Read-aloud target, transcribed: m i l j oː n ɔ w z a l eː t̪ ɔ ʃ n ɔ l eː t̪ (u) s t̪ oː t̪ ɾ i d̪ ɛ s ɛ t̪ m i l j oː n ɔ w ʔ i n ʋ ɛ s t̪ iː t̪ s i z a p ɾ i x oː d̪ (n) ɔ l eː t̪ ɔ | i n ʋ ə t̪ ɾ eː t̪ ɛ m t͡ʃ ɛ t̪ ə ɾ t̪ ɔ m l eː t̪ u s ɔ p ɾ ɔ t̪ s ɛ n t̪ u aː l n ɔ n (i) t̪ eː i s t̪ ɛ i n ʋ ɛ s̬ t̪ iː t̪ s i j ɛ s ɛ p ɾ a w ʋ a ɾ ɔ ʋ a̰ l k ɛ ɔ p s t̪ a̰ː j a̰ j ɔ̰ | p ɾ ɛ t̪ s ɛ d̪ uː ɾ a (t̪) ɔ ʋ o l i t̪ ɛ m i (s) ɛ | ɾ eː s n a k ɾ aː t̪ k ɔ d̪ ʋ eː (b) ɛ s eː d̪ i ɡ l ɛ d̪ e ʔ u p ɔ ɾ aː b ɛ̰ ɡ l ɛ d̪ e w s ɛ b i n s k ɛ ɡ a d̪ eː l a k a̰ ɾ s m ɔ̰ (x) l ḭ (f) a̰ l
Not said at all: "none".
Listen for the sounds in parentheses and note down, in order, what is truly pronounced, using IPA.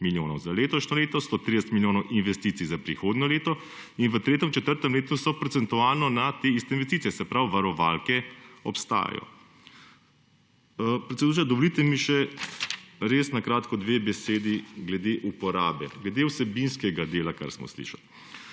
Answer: ɔ, n, a, d̪, ʃ, b, s, ʃ

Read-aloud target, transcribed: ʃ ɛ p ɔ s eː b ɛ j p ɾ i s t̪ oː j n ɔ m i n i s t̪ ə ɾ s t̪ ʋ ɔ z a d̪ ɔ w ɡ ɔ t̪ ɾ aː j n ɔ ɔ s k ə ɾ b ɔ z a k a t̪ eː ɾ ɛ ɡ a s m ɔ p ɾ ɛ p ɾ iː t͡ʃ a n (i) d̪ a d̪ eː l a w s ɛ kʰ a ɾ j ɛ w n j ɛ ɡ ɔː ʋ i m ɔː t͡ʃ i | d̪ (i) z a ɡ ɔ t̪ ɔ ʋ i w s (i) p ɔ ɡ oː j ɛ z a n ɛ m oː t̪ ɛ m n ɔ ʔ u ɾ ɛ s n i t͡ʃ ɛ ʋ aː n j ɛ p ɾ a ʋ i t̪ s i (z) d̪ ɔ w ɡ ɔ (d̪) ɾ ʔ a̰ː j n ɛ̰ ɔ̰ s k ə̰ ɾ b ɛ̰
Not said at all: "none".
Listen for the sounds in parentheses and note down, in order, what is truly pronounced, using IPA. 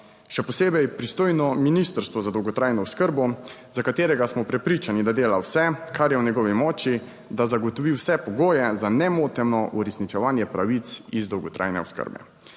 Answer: i, a, ɛ, z, t̪

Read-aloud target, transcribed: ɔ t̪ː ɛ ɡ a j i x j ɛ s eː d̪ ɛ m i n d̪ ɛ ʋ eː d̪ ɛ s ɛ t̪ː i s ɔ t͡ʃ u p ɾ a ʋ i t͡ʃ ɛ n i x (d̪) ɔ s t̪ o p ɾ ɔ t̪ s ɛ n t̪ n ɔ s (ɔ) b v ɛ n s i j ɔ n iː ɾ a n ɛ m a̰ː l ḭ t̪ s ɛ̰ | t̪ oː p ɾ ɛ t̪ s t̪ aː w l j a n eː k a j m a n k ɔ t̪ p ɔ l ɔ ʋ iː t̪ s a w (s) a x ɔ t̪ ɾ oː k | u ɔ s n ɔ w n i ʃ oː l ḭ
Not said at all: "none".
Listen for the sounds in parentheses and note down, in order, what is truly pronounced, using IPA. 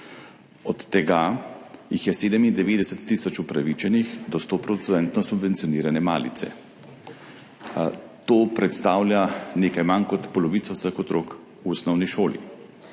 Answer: d̪, u, s

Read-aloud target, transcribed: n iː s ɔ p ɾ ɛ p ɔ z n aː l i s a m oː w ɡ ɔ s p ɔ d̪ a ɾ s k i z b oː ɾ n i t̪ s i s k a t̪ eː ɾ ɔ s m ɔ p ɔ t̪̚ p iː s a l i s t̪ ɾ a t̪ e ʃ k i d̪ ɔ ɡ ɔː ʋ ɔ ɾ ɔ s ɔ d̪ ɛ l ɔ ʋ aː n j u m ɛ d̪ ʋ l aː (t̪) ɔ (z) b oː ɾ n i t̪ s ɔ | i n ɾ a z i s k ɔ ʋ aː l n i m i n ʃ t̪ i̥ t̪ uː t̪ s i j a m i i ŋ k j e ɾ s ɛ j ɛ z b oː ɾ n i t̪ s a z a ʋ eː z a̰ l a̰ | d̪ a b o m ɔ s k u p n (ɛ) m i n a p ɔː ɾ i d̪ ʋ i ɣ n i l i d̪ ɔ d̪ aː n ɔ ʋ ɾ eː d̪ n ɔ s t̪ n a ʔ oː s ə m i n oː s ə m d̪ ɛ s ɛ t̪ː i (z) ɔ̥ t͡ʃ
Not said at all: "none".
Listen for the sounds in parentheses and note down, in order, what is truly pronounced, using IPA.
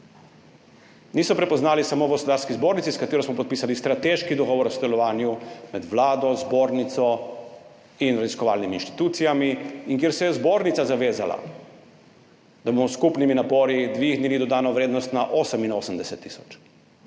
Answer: d̪, z, i, s

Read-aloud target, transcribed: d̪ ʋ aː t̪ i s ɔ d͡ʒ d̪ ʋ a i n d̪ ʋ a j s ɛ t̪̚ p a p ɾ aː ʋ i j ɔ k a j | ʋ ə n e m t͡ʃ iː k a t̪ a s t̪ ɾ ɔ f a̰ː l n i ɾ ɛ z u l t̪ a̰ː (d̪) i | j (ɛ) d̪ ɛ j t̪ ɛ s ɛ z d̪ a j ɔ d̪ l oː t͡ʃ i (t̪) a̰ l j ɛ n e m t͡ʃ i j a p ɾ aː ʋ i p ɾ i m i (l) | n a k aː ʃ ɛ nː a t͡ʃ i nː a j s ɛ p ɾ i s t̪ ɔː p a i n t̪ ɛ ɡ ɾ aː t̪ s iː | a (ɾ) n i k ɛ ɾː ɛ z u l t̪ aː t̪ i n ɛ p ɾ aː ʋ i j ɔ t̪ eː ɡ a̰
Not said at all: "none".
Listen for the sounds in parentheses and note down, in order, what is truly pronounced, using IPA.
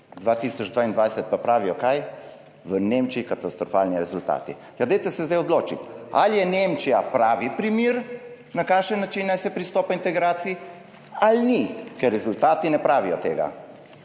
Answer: t̪, a, t̪, ɾ, l

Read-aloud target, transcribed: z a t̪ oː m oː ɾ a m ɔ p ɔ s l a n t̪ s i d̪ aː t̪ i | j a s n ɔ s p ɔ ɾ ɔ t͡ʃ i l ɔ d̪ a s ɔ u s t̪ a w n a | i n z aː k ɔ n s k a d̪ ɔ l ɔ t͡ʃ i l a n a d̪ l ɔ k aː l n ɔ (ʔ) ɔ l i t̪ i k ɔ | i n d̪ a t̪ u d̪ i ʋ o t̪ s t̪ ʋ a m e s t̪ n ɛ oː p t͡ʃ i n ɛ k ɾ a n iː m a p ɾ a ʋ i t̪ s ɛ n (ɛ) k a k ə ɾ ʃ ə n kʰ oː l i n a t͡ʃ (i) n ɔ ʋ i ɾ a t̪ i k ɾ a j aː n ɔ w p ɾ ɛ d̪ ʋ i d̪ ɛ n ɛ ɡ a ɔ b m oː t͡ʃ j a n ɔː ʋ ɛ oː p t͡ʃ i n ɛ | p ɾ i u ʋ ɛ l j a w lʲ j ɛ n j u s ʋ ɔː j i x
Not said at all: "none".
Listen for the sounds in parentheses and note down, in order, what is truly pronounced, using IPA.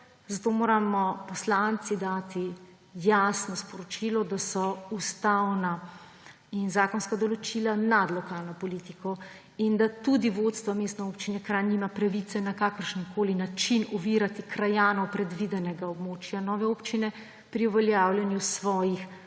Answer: p, a, i

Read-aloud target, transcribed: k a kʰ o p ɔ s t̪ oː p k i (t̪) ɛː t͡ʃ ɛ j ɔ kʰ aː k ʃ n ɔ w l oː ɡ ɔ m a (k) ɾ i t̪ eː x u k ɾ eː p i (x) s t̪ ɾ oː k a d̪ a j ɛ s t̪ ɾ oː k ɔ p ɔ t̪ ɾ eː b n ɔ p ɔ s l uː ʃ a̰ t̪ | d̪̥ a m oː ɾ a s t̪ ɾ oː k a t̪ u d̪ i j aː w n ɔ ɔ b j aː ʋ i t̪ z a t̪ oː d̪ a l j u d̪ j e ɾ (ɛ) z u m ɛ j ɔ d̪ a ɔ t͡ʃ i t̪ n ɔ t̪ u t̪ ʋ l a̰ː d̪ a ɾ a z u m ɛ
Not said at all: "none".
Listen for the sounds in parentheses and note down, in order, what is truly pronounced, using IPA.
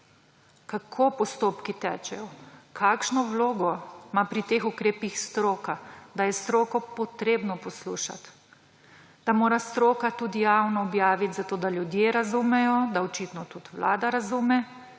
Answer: t̪, p, x, a

